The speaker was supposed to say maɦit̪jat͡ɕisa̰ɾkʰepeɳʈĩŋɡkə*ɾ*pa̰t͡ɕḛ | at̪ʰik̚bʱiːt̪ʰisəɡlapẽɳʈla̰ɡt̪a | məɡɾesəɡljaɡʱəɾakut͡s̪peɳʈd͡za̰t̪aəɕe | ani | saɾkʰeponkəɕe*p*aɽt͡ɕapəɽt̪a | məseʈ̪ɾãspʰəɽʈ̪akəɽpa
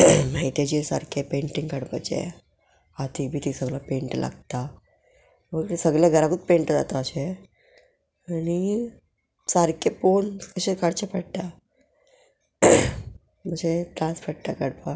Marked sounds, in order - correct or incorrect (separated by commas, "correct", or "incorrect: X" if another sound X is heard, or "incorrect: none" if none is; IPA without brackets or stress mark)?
incorrect: ɽ, incorrect: k